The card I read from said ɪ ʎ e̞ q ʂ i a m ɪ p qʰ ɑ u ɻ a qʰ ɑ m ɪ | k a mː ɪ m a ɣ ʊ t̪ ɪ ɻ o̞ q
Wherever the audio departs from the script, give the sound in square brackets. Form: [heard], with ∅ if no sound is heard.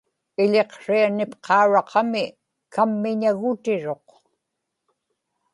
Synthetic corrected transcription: ɪ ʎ e̞ q ʂ i a [n] ɪ p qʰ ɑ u ɻ [ɑ] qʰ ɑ m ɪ | k a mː ɪ [ɲ] a ɣ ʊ t̪ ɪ ɻ o̞ q